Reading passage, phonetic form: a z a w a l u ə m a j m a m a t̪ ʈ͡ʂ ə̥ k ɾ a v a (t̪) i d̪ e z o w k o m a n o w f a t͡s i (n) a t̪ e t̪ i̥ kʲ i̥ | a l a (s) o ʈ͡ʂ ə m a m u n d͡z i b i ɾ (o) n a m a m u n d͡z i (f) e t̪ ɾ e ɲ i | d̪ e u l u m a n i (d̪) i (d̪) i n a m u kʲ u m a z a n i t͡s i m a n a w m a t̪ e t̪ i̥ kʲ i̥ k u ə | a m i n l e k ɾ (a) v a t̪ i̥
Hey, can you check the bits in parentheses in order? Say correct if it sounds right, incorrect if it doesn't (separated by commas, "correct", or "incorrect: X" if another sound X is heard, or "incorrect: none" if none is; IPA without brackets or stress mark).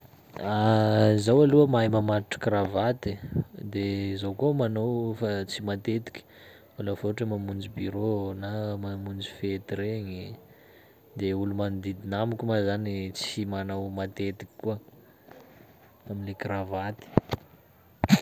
correct, incorrect: m, incorrect: f, correct, correct, correct, correct, correct